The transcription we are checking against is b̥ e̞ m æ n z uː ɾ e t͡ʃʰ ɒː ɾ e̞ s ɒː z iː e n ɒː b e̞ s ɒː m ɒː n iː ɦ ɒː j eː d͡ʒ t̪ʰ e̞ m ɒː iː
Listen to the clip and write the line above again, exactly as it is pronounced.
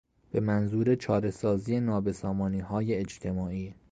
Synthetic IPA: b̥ e̞ m æ n z uː ɾ e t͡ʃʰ ɒː ɾ e̞ s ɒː z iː e n ɒː b e̞ s ɒː m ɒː n iː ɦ ɒː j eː d͡ʒ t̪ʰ e̞ m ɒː iː